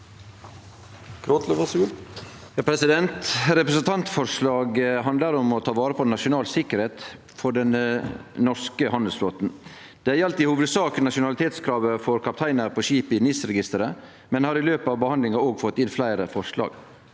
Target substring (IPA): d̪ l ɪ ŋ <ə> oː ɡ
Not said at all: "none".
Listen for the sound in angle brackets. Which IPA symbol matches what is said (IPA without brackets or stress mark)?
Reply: ɑ